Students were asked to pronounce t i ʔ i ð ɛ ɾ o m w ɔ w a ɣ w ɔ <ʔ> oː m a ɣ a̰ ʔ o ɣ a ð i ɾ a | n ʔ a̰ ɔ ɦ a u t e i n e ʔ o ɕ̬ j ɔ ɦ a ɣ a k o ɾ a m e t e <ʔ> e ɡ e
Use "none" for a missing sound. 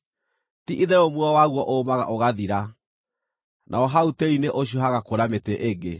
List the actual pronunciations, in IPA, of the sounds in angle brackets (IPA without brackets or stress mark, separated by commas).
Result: ʔ, ʔ